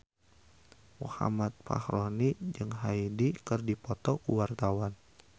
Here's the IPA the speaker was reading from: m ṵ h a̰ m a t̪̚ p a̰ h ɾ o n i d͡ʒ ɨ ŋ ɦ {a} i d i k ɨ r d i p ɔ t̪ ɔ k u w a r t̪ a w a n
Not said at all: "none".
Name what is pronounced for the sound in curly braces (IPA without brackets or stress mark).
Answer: a